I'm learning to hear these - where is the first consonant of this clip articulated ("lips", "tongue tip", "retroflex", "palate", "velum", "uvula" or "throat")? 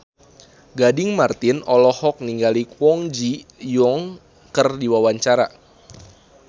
velum